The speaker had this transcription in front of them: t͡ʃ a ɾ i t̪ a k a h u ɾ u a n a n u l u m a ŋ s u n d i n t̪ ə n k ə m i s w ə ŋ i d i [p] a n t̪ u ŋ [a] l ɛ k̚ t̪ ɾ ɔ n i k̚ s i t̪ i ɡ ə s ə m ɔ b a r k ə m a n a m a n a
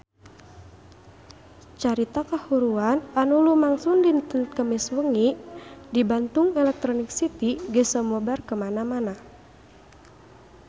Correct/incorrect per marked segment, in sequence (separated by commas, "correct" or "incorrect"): incorrect, incorrect